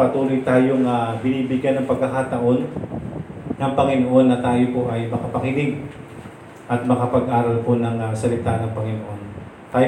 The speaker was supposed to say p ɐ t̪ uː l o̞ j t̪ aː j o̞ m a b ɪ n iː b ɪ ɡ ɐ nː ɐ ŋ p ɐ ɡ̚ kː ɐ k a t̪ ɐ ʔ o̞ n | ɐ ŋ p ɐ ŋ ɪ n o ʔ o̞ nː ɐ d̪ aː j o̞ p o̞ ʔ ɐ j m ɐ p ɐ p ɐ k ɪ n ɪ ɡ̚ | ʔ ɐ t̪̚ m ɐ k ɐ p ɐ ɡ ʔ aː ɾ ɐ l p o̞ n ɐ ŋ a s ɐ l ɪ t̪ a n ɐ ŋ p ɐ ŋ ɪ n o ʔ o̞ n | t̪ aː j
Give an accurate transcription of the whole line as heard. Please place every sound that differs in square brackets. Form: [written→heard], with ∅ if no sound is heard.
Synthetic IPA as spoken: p ɐ t̪ uː l o̞ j t̪ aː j o̞ [m→ŋ] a b ɪ n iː b ɪ ɡ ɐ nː ɐ ŋ p ɐ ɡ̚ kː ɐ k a t̪ ɐ ʔ o̞ n | ɐ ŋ p ɐ ŋ ɪ n o ʔ o̞ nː ɐ [d̪→t̪] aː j o̞ p o̞ ʔ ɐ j m ɐ [p→k] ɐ p ɐ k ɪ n ɪ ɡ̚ | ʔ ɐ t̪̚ m ɐ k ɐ p ɐ ɡ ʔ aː ɾ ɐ l p o̞ n ɐ ŋ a s ɐ l ɪ t̪ a n ɐ ŋ p ɐ ŋ ɪ n o ʔ o̞ n | t̪ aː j